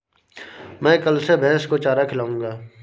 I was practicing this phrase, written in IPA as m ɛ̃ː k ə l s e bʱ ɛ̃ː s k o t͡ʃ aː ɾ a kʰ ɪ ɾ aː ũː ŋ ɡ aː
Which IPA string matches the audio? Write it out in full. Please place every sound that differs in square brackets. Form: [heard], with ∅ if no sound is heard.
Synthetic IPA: m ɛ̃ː k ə l s e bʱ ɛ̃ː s k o t͡ʃ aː ɾ a kʰ ɪ [l] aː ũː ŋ ɡ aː